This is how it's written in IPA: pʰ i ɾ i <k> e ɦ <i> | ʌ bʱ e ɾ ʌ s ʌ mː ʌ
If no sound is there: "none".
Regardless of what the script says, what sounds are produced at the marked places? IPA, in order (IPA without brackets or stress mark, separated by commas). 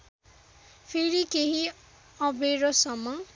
k, i